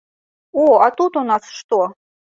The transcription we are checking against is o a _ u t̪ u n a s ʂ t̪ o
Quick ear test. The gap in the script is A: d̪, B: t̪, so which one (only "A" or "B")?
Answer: B